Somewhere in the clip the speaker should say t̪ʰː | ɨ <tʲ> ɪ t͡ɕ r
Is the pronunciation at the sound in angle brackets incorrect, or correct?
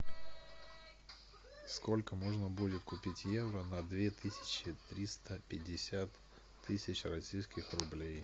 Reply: incorrect